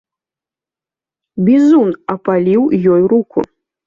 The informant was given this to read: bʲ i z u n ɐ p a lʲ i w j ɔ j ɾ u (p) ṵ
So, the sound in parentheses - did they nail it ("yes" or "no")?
no